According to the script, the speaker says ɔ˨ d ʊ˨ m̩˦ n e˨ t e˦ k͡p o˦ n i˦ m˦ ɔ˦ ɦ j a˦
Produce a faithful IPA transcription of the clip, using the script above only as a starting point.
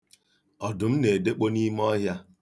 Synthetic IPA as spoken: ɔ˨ d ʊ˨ m̩˦ n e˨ d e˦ k͡p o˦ n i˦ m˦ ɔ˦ ɦ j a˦